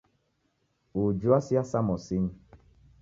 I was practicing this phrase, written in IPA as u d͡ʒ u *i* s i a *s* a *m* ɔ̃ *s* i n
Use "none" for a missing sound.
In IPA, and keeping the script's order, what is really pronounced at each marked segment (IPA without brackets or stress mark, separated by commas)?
a, s, m, s